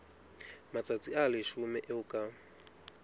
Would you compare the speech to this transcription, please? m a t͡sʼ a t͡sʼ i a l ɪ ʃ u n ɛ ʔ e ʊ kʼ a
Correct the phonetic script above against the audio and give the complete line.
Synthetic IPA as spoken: m a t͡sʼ a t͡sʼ i a l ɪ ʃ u m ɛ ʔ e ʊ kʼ a